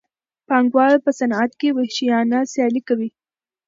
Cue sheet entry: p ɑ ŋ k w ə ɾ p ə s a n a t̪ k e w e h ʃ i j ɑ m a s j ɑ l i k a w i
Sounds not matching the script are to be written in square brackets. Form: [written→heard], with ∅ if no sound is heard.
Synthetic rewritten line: p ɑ ŋ [k→ɡ] w [ə→ɑ] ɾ p ə s a n a t̪ k e w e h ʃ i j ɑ [m→n] a s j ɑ l i k a w i